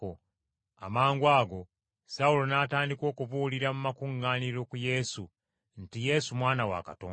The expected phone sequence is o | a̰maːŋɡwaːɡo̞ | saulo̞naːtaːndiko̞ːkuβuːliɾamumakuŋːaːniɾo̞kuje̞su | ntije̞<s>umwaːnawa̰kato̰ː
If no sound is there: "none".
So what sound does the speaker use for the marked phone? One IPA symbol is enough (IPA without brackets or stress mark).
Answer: s